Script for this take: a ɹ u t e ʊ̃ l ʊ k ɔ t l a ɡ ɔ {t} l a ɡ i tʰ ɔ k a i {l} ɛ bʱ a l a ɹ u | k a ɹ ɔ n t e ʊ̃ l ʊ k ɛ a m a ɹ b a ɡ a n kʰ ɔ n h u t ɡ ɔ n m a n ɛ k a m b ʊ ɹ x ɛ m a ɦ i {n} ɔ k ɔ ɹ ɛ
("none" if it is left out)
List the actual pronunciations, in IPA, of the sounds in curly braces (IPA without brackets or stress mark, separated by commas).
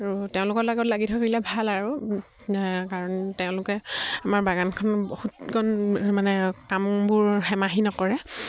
t, l, n